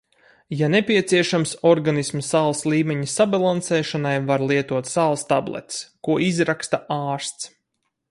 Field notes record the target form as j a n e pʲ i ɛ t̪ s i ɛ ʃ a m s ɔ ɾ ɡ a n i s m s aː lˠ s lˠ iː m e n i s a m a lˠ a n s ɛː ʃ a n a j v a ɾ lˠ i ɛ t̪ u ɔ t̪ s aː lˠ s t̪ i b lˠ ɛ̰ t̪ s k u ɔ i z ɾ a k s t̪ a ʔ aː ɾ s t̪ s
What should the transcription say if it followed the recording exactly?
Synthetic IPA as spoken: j a n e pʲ i ɛ t̪ s i ɛ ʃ a m s ɔ ɾ ɡ a n i s m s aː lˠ s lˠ iː m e ɲ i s a b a lˠ a n s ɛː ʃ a n a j v a ɾ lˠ i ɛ t̪ u ɔ t̪ s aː lˠ s t̪ a b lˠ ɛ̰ t̪ s k u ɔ i z ɾ a k s t̪ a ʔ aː ɾ s t̪ s